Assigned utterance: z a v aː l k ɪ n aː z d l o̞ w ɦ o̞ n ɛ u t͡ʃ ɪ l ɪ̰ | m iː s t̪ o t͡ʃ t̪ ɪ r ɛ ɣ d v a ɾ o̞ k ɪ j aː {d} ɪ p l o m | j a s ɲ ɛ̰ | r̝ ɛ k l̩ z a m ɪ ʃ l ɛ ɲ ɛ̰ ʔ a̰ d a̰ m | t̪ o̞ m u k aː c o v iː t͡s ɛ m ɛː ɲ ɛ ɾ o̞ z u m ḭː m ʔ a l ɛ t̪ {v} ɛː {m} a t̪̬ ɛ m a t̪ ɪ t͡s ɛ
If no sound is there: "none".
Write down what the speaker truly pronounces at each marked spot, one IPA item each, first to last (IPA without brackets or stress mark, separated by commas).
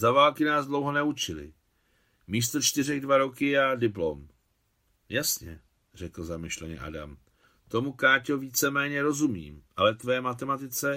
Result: d, v, m